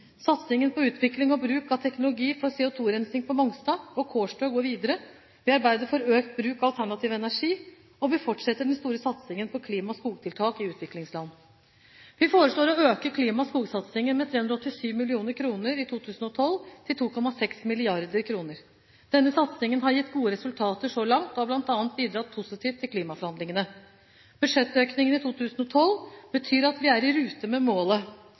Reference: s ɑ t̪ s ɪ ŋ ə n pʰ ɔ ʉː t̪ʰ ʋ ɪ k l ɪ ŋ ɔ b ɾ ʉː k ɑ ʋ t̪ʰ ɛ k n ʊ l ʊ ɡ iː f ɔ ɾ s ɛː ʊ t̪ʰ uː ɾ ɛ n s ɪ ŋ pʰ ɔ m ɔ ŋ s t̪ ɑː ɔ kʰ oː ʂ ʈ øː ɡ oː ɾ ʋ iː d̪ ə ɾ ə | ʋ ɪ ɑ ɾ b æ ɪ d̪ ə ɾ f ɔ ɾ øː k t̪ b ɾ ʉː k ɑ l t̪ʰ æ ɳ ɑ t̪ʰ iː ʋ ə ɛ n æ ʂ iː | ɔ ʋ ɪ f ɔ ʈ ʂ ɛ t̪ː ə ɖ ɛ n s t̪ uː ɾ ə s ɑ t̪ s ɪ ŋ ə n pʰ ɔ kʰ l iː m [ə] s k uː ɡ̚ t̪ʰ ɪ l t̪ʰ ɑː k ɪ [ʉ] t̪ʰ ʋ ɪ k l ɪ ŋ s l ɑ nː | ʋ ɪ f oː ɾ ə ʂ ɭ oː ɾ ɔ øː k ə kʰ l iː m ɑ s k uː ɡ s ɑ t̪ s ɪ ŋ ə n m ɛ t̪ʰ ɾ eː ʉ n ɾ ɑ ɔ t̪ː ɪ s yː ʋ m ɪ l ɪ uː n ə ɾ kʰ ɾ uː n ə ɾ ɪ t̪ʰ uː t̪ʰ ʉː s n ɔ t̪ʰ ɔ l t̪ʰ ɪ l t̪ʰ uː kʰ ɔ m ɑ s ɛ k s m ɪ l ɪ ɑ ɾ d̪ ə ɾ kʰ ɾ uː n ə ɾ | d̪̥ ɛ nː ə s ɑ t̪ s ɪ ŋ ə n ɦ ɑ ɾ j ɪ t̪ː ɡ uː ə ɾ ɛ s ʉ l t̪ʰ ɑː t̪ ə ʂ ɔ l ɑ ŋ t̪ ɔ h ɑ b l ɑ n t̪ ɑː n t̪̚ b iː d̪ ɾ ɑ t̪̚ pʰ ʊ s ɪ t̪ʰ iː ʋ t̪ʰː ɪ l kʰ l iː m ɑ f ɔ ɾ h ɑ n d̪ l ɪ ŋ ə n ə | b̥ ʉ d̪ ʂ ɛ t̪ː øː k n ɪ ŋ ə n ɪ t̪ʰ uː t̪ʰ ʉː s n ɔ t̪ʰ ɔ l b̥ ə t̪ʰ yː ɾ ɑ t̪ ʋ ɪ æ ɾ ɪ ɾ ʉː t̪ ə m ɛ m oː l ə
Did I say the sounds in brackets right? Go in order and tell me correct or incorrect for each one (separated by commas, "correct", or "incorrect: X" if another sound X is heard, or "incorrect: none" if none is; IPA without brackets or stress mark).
incorrect: ɑ, incorrect: ʉː